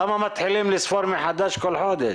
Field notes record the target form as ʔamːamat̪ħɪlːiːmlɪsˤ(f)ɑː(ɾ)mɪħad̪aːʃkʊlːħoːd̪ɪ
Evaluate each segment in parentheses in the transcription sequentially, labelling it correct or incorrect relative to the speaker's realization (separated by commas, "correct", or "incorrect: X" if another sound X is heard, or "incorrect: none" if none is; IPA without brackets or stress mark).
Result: correct, correct